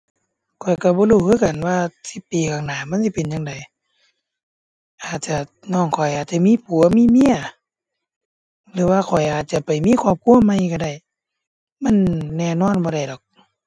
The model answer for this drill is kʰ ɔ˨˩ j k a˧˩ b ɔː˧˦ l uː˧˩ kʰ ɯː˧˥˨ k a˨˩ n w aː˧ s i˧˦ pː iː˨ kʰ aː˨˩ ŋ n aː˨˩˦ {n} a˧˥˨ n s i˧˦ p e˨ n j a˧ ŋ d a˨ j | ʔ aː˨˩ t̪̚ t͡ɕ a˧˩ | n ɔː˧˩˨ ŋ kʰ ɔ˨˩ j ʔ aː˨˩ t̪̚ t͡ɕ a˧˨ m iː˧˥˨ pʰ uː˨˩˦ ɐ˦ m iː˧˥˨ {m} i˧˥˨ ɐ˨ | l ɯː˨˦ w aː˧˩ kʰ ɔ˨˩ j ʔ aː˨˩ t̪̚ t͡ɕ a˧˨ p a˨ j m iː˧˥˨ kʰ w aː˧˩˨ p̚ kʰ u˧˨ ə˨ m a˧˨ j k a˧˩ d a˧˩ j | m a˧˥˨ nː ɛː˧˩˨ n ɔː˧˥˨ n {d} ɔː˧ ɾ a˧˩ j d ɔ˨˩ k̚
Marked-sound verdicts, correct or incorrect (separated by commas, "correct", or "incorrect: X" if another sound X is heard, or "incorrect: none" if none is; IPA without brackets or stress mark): incorrect: m, correct, incorrect: b